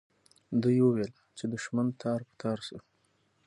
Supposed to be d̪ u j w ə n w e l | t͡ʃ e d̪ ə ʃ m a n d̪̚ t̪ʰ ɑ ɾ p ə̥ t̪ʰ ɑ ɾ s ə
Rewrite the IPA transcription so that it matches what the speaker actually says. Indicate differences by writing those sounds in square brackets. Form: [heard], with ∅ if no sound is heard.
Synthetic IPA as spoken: d̪ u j w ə [∅] w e l | t͡ʃ e d̪ ə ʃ m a n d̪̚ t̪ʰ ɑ ɾ p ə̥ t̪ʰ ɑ ɾ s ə